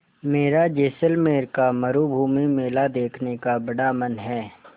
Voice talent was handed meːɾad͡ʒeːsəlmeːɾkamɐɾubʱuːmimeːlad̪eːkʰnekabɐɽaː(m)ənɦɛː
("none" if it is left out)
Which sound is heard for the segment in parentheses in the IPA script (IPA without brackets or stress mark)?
m